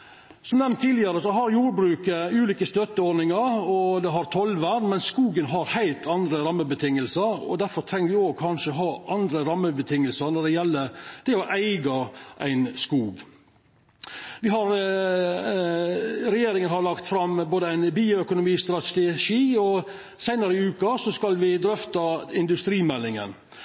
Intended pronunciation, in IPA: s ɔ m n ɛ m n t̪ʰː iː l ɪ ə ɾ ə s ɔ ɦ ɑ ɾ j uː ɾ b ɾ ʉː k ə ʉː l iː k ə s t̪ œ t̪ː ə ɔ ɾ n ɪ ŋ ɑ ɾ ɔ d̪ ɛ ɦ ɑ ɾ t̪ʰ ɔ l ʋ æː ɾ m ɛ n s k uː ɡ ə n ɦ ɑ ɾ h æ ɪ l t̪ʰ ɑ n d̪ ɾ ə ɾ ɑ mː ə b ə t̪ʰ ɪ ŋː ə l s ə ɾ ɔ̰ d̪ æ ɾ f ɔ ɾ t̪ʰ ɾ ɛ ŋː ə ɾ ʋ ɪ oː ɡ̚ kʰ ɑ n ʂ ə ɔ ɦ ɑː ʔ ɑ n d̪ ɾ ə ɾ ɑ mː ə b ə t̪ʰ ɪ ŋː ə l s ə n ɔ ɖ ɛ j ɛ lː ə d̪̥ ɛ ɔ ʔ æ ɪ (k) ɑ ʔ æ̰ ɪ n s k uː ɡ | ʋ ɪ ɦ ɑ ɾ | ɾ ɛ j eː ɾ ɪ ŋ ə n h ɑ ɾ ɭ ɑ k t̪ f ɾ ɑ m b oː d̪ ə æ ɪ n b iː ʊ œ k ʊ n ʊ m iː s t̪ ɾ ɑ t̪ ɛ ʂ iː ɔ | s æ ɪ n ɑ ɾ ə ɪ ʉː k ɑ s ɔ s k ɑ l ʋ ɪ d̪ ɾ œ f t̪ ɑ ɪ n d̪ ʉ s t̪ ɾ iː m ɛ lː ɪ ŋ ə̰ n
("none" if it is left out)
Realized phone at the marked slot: ɡ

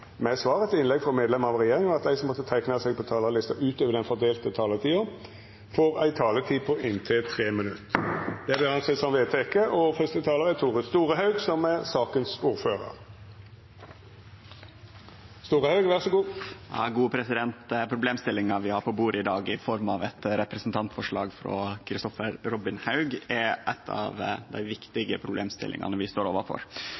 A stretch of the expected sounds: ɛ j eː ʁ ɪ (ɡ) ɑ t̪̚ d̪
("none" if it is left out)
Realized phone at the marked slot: ŋ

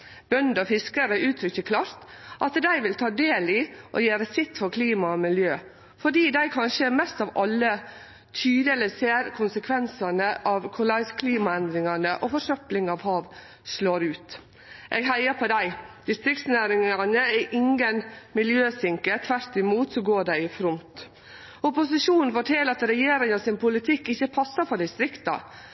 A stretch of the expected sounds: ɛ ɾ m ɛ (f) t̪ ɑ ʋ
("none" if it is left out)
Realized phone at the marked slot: s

